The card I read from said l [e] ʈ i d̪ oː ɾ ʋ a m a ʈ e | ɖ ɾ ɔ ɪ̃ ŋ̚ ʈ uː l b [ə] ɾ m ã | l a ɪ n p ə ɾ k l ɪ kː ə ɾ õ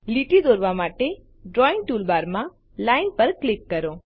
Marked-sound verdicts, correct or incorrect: incorrect: i, incorrect: a

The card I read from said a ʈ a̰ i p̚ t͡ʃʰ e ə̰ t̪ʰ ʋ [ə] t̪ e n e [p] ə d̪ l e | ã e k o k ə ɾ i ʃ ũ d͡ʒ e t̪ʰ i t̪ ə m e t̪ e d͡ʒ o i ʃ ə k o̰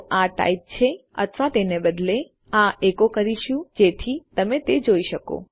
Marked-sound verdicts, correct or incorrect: incorrect: a, incorrect: b

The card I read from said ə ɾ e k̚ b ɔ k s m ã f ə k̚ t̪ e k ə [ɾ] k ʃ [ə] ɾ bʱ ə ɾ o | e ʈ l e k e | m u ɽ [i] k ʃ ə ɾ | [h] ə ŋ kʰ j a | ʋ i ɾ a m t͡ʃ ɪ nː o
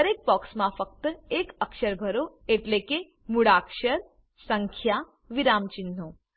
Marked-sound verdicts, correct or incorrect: incorrect: none, correct, incorrect: a, incorrect: s

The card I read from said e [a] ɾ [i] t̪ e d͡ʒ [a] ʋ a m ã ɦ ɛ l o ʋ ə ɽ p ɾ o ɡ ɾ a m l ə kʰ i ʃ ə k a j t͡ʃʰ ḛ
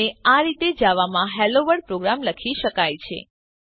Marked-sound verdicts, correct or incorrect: correct, correct, correct

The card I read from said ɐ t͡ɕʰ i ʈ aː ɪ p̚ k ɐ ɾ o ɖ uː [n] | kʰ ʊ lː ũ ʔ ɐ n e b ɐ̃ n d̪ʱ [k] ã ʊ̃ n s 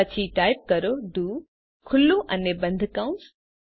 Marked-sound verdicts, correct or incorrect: incorrect: none, correct

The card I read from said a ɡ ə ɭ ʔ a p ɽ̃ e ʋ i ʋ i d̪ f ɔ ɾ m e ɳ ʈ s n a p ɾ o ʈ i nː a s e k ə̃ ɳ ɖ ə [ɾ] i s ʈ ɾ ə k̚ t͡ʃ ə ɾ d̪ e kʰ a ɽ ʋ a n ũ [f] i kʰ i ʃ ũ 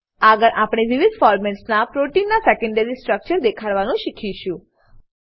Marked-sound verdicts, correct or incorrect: correct, incorrect: ʃ

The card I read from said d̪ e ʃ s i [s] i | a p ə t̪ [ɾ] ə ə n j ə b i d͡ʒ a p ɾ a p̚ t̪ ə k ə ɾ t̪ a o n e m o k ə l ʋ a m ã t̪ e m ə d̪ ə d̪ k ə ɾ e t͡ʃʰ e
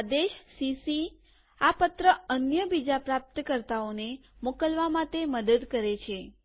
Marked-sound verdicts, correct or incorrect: correct, correct

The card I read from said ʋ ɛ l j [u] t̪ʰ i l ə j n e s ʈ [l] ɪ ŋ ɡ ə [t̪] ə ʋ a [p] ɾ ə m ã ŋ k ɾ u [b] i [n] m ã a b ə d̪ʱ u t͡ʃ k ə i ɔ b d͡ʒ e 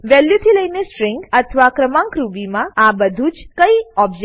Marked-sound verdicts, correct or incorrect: correct, incorrect: ɾ, incorrect: t̪ʰ, incorrect: k, correct, incorrect: none

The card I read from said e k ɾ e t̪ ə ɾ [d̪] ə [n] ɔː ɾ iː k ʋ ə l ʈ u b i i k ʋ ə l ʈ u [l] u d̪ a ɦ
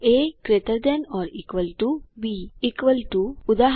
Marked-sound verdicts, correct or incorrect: correct, correct, incorrect: none

